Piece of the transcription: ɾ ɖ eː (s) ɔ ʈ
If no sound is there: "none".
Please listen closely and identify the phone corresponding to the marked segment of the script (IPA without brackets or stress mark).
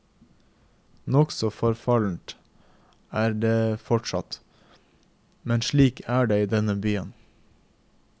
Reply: f